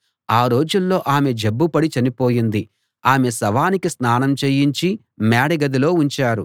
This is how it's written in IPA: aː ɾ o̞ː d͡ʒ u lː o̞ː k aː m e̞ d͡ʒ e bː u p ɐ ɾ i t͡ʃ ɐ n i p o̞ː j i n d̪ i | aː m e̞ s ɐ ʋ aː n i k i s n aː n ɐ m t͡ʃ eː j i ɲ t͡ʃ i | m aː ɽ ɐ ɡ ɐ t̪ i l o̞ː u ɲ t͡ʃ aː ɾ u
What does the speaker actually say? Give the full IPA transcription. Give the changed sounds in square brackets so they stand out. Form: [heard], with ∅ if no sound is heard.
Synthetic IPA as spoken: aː ɾ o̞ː d͡ʒ u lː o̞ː [ʔ] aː m e̞ d͡ʒ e bː u p ɐ [ɽ] i t͡ʃ ɐ n i p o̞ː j i n d̪ i | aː m e̞ s ɐ ʋ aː n i k i s n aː n ɐ m t͡ʃ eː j i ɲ t͡ʃ i | m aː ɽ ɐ ɡ ɐ [d̪] i l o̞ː u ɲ t͡ʃ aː ɾ u